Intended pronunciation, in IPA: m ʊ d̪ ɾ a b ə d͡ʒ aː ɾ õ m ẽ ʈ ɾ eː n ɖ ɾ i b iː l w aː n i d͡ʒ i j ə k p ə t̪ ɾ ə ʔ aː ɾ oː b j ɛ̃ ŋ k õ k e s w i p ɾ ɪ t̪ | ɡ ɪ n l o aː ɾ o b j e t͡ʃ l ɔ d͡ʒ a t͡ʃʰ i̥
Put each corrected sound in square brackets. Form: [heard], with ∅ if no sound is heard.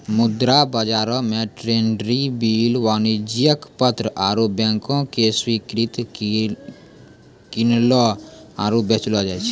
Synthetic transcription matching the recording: m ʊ d̪ ɾ a b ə d͡ʒ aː ɾ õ m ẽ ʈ ɾ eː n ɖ ɾ i b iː l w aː n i d͡ʒ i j ə k p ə t̪ ɾ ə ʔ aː ɾ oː b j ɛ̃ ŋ k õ k e s w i [k] ɾ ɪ t̪ | [k] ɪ n l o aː ɾ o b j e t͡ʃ l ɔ d͡ʒ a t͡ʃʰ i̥